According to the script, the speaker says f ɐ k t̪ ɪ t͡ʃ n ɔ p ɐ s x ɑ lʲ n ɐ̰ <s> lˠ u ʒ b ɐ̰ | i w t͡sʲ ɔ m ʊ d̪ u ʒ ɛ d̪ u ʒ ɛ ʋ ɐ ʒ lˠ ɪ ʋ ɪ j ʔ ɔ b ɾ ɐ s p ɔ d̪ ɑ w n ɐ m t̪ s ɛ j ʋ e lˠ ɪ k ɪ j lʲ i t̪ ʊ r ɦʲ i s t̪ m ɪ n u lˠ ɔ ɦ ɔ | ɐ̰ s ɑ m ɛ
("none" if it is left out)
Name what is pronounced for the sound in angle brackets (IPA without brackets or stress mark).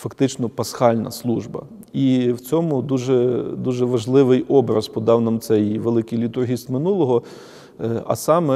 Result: s